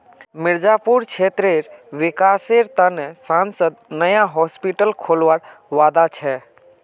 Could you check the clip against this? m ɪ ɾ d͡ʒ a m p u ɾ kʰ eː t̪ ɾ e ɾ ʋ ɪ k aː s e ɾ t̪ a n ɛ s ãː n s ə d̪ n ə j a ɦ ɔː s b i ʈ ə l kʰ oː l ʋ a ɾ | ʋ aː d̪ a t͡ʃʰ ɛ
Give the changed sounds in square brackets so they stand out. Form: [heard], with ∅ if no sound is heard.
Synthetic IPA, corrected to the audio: m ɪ ɾ d͡ʒ a [∅] p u ɾ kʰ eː t̪ ɾ e ɾ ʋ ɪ k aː s e ɾ t̪ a n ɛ s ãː n s ə d̪ n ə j a ɦ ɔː s [p] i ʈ ə l kʰ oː l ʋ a ɾ | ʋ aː d̪ a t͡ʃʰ ɛ